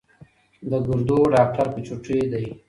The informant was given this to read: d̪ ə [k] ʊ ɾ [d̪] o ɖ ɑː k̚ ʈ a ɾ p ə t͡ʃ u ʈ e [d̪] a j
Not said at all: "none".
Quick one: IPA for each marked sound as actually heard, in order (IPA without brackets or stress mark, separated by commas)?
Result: ɡ, d̪, d̪